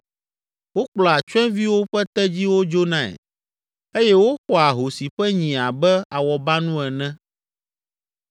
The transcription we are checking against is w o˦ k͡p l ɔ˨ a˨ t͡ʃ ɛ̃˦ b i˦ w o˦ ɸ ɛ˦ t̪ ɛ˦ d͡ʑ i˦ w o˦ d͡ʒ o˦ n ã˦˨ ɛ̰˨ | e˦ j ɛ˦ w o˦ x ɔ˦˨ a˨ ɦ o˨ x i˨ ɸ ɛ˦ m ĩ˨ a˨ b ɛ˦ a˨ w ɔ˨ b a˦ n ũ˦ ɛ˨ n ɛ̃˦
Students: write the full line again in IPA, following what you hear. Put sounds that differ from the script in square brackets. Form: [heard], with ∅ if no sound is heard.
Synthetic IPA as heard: w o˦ k͡p l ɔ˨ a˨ t͡ʃ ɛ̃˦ [v] i˦ w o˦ ɸ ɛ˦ t̪ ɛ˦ d͡ʑ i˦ w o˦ d͡ʒ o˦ n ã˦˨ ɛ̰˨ | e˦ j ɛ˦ w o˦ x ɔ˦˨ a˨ ɦ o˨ [s] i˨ ɸ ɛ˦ [ɲ] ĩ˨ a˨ b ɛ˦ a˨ w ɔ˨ b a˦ n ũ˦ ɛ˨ n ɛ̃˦